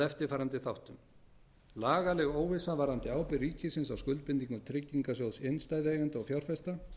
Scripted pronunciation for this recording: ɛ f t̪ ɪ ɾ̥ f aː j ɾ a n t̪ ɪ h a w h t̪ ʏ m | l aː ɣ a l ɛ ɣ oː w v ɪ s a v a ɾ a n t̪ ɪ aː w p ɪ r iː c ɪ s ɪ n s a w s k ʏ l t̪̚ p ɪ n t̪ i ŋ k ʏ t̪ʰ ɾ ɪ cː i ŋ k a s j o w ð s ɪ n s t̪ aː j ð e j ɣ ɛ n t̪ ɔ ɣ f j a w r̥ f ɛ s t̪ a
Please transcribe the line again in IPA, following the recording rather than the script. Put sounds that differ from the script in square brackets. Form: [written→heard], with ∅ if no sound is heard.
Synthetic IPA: ɛ f t̪ ɪ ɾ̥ f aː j ɾ a n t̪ ɪ [h→θ] a w h t̪ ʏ m | l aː ɣ a l ɛ ɣ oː w v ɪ s a v a ɾ a n t̪ ɪ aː w p ɪ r iː c ɪ s ɪ n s a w s k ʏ l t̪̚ p ɪ n t̪ i ŋ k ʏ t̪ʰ ɾ ɪ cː i ŋ k a s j o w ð s ɪ n s t̪ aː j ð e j ɣ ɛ n t̪ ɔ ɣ f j a w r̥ f ɛ s t̪ a